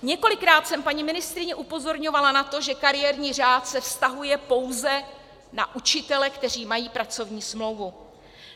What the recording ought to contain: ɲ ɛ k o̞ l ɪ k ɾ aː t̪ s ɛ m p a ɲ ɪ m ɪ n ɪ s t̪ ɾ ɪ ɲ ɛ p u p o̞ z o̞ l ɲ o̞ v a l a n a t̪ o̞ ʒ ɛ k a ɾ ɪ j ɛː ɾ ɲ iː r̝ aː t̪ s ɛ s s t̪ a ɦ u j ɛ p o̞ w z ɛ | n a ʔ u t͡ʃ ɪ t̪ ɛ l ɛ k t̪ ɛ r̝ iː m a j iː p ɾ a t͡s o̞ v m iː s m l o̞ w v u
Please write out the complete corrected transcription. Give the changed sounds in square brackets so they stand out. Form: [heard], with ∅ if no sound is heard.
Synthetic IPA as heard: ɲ ɛ k o̞ l ɪ k ɾ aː t̪ s ɛ m p a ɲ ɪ m ɪ n ɪ s t̪ ɾ ɪ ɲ ɛ [ʔ] u p o̞ z o̞ [ɾ] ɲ o̞ v a l a n a t̪ o̞ ʒ ɛ k a ɾ ɪ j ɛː ɾ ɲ iː r̝ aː t̪ s ɛ [f] s t̪ a ɦ u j ɛ p o̞ w z ɛ | n a ʔ u t͡ʃ ɪ t̪ ɛ l ɛ k t̪ ɛ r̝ iː m a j iː p ɾ a t͡s o̞ v [ɲ] iː s m l o̞ w v u